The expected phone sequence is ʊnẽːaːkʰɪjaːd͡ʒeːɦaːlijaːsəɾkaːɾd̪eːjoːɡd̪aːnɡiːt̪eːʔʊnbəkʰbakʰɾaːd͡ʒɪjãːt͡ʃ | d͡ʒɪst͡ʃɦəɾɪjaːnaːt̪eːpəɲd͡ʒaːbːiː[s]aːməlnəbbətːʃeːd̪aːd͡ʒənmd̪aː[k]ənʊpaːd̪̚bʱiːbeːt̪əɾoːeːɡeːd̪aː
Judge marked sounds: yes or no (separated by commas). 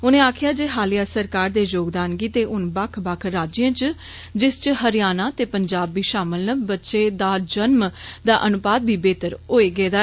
no, no